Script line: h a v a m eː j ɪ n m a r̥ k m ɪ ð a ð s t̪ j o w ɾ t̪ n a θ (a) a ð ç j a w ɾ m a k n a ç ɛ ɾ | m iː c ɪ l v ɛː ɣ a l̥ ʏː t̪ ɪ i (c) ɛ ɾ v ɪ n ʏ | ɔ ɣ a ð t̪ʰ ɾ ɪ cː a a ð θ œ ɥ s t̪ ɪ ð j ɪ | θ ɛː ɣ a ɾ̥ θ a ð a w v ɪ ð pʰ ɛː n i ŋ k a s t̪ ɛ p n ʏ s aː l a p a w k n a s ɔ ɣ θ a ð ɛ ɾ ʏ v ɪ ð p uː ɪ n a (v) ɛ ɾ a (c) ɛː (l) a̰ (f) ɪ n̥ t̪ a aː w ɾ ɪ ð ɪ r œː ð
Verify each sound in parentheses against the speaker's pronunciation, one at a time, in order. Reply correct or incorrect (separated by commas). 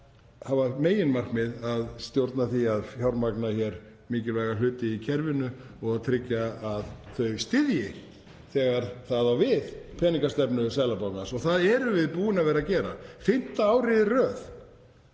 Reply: incorrect, incorrect, correct, correct, incorrect, correct